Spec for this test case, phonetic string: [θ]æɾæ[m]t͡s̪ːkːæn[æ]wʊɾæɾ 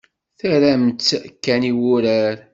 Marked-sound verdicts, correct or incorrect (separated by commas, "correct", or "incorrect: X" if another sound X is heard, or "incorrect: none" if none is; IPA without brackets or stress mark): correct, correct, incorrect: i